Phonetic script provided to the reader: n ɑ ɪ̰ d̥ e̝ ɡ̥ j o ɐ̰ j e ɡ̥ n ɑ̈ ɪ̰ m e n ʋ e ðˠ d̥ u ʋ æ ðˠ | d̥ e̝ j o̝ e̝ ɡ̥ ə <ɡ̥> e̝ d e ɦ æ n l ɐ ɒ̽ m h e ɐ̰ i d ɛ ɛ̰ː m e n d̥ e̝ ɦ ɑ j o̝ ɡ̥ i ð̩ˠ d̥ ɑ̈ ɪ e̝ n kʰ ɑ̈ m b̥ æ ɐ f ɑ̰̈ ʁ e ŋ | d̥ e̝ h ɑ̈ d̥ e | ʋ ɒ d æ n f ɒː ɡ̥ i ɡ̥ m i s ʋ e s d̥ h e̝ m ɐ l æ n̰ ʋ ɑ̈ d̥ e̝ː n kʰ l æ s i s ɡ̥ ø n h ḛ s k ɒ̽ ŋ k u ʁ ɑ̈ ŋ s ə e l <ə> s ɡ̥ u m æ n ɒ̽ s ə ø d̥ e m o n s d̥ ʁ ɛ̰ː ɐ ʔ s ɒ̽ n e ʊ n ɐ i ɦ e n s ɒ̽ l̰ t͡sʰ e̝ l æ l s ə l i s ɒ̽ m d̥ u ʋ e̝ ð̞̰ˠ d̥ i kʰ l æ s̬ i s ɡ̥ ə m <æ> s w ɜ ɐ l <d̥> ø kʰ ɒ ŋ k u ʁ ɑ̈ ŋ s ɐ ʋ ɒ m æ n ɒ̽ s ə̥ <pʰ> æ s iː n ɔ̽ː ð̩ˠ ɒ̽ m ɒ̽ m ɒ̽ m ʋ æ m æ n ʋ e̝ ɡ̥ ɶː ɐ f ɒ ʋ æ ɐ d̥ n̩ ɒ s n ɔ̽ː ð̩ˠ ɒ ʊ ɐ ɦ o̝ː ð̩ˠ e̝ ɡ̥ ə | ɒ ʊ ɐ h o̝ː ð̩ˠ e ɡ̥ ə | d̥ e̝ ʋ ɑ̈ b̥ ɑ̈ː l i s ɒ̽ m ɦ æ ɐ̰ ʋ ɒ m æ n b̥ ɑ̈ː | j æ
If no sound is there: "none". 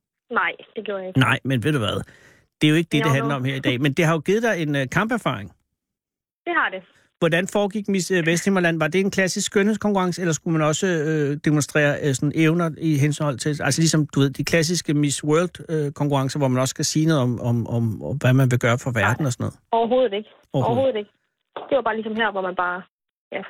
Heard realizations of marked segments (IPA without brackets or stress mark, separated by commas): d̥, ɐ, i, d̥, kʰ